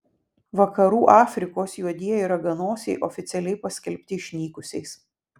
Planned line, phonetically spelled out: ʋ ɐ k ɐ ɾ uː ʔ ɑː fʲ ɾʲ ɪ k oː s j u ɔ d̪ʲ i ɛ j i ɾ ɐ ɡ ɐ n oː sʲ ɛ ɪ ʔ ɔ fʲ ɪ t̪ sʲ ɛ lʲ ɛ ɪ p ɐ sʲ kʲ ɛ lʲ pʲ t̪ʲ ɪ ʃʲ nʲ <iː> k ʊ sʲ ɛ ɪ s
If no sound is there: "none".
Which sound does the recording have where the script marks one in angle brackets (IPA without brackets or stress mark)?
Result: iː